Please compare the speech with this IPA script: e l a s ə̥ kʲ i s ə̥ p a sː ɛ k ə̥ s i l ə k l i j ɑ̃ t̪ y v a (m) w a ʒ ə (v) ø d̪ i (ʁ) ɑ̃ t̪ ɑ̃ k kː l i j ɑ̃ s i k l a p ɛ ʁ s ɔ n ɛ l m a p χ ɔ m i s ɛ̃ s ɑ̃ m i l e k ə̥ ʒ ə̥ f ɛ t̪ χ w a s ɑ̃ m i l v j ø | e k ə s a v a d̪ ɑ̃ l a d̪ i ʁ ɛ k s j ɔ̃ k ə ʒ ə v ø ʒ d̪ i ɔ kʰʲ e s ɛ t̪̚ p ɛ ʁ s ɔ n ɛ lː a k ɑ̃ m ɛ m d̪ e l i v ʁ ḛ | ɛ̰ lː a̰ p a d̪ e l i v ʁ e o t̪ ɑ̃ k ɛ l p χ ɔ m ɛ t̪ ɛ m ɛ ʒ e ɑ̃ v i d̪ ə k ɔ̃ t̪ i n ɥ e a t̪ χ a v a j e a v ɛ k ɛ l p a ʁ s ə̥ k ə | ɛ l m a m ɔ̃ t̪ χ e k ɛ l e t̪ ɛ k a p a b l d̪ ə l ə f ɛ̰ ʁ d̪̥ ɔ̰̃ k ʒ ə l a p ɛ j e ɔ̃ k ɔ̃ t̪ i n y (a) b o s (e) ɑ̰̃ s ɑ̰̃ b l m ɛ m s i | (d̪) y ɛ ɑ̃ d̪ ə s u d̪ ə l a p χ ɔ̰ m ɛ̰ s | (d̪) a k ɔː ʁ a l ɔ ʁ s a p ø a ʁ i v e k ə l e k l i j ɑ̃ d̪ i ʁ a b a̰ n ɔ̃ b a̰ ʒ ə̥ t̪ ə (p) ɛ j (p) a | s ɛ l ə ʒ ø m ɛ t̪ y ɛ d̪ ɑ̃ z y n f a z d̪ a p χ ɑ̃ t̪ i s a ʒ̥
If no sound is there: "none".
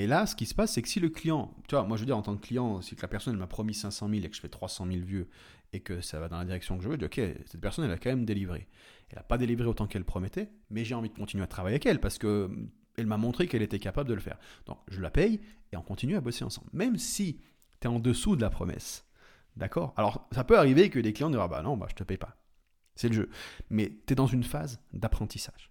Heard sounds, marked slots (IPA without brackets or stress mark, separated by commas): m, v, ʁ, a, e, t̪, d̪, p, p